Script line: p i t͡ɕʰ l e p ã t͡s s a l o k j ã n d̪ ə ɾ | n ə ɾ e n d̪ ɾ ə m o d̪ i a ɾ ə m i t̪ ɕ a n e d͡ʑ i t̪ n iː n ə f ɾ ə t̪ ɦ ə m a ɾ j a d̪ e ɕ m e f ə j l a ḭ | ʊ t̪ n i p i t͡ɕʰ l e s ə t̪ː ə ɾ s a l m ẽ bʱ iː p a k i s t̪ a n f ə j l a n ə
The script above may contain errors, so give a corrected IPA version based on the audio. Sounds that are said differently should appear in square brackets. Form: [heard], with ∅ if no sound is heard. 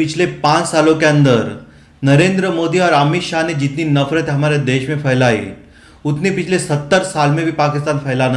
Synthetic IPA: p i t͡ɕʰ l e p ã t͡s s a l o k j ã n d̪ ə ɾ | n ə ɾ e n d̪ ɾ ə m o d̪ i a ɾ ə m i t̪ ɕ a n e d͡ʑ i t̪ n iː n ə f ɾ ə t̪ ɦ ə m a ɾ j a d̪ e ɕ m e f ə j l a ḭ | [u] t̪ n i p i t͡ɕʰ l e s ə t̪ː ə ɾ s a l m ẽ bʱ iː p a k i s t̪ a n f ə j l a n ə